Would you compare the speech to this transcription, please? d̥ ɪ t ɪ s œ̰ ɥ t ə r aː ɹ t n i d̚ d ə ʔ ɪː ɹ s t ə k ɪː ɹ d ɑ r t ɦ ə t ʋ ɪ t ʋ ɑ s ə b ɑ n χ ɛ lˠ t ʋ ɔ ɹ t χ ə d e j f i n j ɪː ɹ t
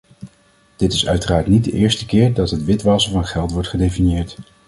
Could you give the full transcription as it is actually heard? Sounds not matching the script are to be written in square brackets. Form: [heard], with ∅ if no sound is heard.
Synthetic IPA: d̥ ɪ t ɪ s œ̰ ɥ t ə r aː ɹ t n i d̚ d ə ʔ ɪː ɹ s t ə k ɪː ɹ d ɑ [∅] t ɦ ə t ʋ ɪ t ʋ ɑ s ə [v] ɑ n χ ɛ lˠ t ʋ ɔ ɹ t χ ə d e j f i n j ɪː ɹ t